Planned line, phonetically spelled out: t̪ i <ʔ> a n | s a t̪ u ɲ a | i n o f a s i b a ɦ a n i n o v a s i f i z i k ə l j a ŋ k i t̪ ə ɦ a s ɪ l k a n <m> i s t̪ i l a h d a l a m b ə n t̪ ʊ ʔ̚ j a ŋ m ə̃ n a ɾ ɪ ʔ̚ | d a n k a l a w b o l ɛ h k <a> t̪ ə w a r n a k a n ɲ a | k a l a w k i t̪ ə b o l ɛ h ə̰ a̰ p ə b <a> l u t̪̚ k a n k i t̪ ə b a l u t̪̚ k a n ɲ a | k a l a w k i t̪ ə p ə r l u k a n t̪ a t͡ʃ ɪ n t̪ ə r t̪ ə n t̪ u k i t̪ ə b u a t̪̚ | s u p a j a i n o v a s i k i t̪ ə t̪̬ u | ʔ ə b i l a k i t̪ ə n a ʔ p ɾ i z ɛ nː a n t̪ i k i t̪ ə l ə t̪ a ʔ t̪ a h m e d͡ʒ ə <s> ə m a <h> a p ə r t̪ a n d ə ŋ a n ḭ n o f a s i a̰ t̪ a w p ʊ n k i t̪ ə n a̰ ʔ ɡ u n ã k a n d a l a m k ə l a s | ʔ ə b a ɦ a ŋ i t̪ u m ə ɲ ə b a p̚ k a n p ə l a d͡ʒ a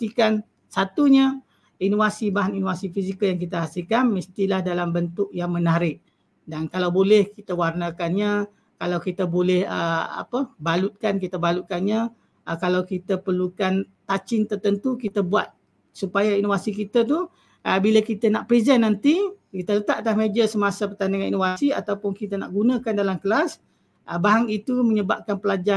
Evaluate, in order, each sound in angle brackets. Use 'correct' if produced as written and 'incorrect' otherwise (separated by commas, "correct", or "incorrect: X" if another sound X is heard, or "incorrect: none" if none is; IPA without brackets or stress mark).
incorrect: k, correct, incorrect: i, correct, correct, incorrect: s